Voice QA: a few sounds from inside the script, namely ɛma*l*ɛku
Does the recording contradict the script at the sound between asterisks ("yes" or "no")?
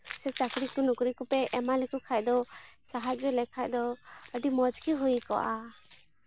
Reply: no